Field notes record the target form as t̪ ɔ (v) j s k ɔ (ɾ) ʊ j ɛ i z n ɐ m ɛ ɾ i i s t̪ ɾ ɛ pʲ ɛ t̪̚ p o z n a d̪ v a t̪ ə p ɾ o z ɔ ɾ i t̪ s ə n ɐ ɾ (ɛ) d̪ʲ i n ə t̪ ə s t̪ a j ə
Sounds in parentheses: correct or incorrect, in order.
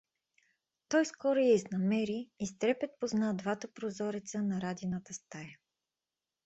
incorrect: none, correct, incorrect: a

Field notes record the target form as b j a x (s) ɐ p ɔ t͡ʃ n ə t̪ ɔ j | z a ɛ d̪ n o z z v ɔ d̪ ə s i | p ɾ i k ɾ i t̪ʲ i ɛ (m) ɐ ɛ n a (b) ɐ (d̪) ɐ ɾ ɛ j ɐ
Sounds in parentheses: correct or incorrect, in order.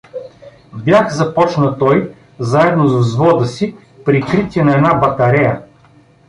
incorrect: z, incorrect: n, correct, incorrect: t̪

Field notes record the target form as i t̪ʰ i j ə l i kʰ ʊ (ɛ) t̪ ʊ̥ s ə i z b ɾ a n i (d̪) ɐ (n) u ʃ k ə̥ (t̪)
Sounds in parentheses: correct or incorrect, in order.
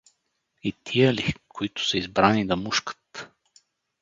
incorrect: i, correct, incorrect: m, correct

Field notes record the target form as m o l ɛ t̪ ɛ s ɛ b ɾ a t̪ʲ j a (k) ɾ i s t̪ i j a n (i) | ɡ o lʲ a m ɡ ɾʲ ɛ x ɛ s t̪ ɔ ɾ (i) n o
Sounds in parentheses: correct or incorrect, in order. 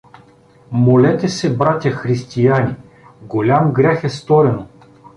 incorrect: x, correct, incorrect: ɛ

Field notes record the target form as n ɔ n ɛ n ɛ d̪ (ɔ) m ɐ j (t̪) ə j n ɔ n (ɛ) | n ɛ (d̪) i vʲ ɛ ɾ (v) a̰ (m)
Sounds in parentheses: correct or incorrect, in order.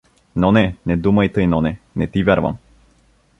incorrect: u, correct, correct, incorrect: t̪, correct, correct

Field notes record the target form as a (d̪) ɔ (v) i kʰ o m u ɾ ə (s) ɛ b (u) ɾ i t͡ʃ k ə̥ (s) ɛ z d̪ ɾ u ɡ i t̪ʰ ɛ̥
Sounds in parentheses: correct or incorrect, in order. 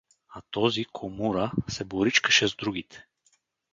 incorrect: t̪, incorrect: z, correct, incorrect: o, incorrect: ʃ

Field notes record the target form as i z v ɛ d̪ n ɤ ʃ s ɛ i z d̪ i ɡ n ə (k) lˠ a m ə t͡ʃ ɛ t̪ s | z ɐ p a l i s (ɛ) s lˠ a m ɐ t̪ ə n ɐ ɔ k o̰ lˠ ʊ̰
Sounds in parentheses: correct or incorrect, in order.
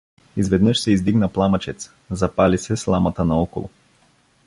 incorrect: p, correct

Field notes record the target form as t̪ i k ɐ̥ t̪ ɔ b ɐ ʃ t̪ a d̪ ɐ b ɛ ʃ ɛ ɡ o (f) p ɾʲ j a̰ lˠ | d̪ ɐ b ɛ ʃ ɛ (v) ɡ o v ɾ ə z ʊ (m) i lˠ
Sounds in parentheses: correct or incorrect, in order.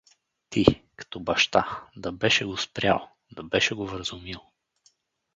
incorrect: s, incorrect: none, correct

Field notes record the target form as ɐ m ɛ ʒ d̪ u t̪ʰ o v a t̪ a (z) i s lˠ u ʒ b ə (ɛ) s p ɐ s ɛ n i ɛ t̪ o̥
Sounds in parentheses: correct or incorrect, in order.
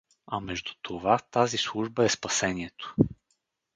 correct, correct

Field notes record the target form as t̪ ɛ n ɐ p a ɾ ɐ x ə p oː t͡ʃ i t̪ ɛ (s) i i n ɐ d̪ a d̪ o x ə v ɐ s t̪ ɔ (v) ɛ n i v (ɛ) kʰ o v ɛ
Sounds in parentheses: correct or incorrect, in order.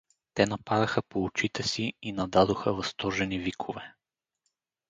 correct, incorrect: ʒ, incorrect: i

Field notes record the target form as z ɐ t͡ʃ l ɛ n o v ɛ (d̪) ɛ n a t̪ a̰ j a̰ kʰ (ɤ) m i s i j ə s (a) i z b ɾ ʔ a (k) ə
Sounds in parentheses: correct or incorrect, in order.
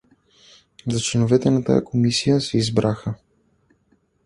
incorrect: t̪, incorrect: o, incorrect: ɛ, incorrect: x

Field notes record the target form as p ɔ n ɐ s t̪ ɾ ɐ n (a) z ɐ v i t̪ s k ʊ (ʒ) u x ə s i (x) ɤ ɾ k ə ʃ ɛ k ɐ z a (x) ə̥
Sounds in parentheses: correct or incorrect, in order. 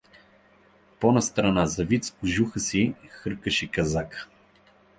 correct, correct, correct, incorrect: k

